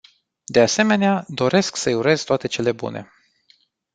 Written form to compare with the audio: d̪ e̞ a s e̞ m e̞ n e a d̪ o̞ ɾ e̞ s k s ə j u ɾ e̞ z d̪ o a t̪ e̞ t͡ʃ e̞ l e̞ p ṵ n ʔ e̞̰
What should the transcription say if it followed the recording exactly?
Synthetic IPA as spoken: d̪ e̞ a s e̞ m e̞ n e a d̪ o̞ ɾ e̞ s k s ə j u ɾ e̞ z t̪ o a t̪ e̞ t͡ʃ e̞ l e̞ b ṵ n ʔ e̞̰